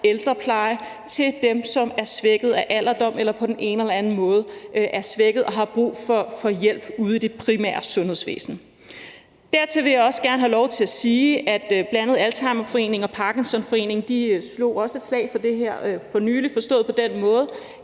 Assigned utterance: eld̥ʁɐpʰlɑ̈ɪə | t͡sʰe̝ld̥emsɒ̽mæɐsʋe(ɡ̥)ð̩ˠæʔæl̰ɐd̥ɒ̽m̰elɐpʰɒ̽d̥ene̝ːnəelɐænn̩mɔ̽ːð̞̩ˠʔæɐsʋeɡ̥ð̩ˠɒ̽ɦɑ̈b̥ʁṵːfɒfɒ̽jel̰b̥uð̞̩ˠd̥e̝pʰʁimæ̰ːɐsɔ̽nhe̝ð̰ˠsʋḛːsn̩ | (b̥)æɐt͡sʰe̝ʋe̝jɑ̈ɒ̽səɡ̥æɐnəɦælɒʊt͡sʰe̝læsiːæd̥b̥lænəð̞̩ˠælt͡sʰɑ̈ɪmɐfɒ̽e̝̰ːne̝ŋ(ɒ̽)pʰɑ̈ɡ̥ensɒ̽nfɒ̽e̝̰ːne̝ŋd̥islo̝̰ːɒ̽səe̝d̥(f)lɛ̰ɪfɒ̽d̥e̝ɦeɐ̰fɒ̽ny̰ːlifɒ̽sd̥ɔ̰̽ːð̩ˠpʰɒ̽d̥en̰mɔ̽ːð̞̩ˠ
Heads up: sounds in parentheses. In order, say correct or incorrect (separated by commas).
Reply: correct, incorrect, correct, incorrect